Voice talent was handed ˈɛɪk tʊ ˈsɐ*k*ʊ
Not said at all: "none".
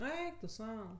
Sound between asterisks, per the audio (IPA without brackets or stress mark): none